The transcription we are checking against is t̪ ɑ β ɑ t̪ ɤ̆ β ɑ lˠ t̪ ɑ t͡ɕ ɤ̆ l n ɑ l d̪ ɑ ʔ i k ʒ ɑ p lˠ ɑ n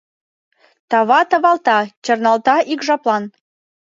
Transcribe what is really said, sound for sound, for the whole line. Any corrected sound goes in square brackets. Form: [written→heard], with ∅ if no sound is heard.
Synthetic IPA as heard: t̪ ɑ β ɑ t̪ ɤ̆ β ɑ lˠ t̪ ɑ t͡ɕ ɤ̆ [l→r] n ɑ l [d̪→t̪] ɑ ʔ i k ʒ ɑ p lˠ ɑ n